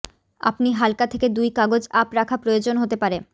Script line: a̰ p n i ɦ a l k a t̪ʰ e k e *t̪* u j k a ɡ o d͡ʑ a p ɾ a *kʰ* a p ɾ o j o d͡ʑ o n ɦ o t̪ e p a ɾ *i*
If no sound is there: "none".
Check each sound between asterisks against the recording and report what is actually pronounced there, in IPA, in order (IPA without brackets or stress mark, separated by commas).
d̪, kʰ, e